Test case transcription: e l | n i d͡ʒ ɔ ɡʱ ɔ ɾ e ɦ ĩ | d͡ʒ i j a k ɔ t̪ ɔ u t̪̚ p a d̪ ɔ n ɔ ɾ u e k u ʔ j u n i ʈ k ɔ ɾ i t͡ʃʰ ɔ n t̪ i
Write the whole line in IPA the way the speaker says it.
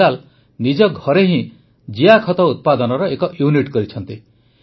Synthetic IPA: a l | n i d͡ʒ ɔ ɡʱ ɔ ɾ e ɦ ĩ | d͡ʒ i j a kʰ ɔ t̪ ɔ u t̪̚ p a d̪ ɔ n ɔ ɾ ɔ e k ɔ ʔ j u n i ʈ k ɔ ɾ i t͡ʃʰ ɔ n t̪ i